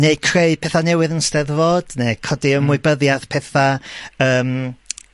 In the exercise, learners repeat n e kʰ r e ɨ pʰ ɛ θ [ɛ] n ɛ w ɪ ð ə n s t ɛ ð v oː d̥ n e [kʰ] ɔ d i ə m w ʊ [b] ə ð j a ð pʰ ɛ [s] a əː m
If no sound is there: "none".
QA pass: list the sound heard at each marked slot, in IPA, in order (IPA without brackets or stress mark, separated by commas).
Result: a, kʰ, b, θ